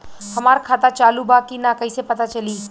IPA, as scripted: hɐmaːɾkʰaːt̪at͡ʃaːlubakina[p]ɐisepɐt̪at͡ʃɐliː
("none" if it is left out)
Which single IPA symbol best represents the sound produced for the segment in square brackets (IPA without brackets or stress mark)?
k